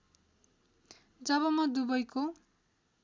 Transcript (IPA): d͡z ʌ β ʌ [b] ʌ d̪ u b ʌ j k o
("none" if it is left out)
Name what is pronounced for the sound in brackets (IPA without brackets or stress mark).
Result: m